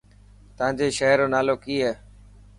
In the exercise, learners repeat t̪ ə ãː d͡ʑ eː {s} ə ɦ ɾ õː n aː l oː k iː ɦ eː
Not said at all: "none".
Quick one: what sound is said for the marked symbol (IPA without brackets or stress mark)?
ʃ